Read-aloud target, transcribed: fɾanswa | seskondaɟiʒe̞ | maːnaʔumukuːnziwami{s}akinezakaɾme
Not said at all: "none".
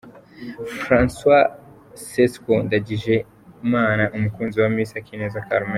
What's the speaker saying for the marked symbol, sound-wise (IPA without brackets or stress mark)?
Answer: s